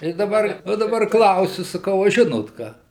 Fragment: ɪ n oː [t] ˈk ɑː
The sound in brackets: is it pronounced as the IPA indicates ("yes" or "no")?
yes